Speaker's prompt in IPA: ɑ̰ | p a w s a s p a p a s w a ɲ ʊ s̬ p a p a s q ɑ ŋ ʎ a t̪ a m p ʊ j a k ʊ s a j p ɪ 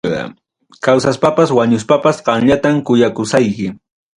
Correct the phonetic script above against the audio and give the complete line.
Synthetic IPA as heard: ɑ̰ | k a w s a s p a p a s w a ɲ ʊ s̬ p a p a s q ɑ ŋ ʎ a t̪ a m k ʊ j a k ʊ s a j k ɪ